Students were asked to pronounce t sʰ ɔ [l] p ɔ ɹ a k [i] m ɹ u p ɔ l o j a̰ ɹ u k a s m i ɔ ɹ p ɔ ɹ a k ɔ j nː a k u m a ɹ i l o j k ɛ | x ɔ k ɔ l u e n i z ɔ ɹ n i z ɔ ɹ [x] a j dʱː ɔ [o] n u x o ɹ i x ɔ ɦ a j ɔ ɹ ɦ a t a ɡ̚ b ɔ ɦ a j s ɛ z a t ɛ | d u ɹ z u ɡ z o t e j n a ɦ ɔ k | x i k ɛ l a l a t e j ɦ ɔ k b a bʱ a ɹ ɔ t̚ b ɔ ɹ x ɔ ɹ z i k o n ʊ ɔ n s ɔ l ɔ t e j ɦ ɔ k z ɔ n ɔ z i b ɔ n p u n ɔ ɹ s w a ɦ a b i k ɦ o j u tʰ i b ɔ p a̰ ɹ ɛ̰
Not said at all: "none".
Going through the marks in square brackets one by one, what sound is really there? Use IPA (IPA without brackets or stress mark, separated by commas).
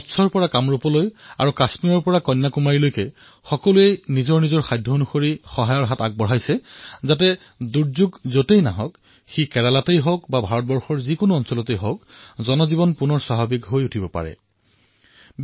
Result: ɹ, a, x, o